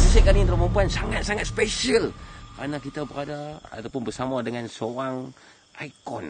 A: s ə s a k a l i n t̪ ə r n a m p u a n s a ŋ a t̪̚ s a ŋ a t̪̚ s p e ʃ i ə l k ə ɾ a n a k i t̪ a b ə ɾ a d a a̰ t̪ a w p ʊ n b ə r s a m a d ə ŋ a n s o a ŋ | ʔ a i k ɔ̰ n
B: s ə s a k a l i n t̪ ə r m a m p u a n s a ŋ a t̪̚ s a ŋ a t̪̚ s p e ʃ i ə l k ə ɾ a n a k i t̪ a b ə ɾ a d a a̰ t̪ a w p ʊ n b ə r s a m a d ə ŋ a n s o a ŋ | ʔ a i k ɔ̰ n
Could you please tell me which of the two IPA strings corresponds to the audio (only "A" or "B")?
B